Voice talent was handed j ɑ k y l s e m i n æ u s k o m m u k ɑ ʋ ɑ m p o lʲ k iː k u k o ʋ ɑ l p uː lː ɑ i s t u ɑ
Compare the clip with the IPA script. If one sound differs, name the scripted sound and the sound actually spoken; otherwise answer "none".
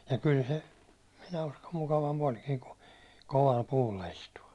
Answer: none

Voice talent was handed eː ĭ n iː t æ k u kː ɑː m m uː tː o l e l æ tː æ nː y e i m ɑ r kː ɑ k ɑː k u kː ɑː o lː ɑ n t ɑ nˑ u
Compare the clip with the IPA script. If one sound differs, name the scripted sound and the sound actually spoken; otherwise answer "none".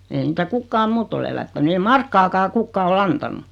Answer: nː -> n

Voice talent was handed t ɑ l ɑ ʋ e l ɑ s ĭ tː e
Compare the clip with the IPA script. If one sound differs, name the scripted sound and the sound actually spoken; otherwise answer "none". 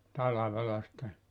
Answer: none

